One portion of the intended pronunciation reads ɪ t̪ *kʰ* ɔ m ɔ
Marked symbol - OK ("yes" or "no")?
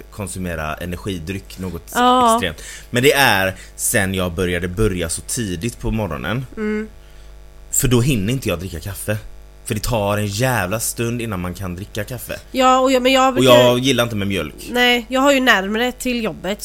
no